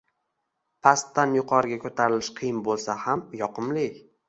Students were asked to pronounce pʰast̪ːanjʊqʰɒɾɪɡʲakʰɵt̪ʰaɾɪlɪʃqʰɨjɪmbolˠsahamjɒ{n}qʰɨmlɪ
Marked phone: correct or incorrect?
incorrect